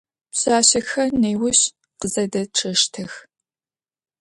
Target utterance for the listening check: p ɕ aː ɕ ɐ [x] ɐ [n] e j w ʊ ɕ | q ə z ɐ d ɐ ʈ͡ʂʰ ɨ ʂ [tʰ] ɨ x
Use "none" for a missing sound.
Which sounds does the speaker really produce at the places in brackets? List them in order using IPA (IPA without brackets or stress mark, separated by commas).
x, n, tʰ